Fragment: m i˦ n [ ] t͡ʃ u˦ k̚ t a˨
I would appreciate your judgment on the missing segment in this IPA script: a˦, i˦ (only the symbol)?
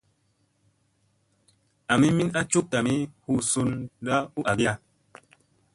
a˦